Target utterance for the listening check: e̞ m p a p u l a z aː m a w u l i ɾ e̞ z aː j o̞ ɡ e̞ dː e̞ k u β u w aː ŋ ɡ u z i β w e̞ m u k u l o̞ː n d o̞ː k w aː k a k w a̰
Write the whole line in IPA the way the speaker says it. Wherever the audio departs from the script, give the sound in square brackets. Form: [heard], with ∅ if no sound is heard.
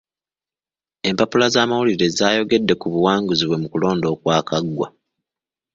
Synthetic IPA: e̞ m p a p u l a z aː m a w u l i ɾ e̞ z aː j o̞ ɡ e̞ dː e̞ k u β u w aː ŋ ɡ u z i β w e̞ m u k u l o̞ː n d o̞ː k w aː k a [ɡ] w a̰